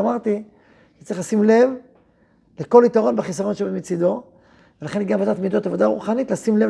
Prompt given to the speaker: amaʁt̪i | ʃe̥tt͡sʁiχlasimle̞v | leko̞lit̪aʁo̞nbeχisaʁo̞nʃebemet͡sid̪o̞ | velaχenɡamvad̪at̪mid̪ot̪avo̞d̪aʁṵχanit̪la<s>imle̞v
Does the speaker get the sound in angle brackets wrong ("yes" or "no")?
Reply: no